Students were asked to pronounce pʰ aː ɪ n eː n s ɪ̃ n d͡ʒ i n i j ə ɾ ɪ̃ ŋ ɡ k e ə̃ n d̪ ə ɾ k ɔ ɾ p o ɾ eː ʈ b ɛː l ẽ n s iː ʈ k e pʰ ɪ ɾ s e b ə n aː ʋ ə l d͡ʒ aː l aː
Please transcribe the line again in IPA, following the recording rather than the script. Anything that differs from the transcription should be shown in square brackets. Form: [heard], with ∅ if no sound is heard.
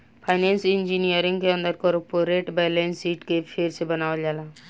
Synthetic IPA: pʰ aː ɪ n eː n s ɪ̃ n d͡ʒ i n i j ə ɾ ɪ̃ ŋ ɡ k e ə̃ n d̪ ə ɾ k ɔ ɾ p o ɾ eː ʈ b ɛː l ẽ n s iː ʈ k e pʰ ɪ ɾ s e b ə n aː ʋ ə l d͡ʒ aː l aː